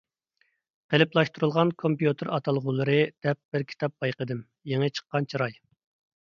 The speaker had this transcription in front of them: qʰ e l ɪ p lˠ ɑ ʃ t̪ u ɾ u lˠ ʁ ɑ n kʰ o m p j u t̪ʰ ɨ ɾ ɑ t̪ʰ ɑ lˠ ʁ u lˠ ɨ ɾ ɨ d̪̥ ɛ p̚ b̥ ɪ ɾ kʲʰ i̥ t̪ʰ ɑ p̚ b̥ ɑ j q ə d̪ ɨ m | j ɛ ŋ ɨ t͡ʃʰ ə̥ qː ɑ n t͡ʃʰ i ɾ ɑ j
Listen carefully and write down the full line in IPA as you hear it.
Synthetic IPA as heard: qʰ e l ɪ p lˠ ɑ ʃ t̪ u ɾ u lˠ ʁ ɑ n kʰ o m p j u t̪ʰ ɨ ɾ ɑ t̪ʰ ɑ lˠ ʁ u lˠ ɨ ɾ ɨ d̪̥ ɛ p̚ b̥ ɪ ɾ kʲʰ i̥ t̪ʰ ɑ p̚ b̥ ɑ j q ə d̪ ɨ m | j e ŋ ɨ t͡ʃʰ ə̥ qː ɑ n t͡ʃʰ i ɾ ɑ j